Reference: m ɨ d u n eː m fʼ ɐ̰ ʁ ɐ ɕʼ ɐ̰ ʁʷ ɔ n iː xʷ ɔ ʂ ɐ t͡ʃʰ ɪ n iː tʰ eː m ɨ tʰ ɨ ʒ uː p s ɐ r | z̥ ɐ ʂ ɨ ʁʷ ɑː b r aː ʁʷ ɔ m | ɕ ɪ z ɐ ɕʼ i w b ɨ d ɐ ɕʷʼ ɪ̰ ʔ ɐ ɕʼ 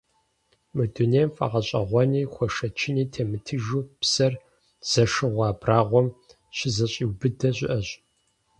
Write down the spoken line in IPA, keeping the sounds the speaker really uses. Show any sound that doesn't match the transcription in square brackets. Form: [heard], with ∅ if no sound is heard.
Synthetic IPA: m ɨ d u n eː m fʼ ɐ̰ ʁ ɐ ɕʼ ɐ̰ ʁʷ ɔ n iː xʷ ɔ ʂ ɐ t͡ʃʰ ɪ n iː tʰ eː m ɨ tʰ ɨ ʒ uː p s ɐ r | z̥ ɐ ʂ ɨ ʁʷ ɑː b r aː ʁʷ ɔ m | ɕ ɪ z ɐ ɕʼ i w b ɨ d ɐ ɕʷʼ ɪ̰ ʔ ɐ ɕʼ